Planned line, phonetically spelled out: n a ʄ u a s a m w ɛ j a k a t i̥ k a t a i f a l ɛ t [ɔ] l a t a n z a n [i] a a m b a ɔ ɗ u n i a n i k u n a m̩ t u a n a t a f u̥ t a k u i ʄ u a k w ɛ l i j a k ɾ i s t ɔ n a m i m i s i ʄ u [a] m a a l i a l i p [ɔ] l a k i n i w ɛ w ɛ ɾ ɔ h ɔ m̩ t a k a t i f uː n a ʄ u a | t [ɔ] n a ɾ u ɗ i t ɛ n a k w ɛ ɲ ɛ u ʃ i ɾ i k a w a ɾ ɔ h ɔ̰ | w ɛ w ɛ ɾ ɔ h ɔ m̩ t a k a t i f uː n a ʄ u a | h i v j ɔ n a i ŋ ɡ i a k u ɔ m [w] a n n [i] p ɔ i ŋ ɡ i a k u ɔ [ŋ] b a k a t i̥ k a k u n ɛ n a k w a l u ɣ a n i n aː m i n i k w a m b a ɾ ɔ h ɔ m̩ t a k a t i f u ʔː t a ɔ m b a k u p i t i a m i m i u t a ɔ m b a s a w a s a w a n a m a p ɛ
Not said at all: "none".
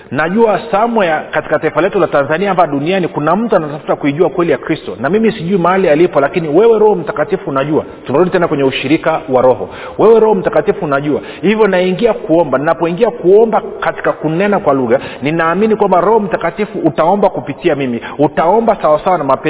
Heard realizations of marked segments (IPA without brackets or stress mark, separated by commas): u, i, i, ɔ, u, b, a, m